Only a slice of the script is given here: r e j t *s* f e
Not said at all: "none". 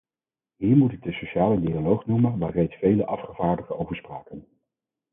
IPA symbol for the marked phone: s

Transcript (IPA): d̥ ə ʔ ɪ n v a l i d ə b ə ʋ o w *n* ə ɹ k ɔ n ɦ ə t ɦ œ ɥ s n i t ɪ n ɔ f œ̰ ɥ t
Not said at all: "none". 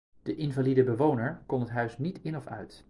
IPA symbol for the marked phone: n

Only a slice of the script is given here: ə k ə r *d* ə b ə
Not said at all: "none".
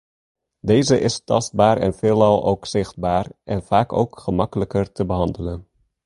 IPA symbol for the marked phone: t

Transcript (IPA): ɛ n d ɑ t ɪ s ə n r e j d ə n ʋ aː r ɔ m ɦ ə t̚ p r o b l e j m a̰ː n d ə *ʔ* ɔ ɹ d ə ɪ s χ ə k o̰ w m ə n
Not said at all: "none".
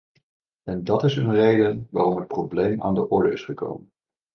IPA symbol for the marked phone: ʔ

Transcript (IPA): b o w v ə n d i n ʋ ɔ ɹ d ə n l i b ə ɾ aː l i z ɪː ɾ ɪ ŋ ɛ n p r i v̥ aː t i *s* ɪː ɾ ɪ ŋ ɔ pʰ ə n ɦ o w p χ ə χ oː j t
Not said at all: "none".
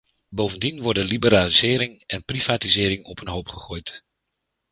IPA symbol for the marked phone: z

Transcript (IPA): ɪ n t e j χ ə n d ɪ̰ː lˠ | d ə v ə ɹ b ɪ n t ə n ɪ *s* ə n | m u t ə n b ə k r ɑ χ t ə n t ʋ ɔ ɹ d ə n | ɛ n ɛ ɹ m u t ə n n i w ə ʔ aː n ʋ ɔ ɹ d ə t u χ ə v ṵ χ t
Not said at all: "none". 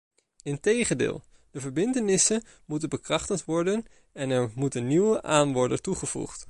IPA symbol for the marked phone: s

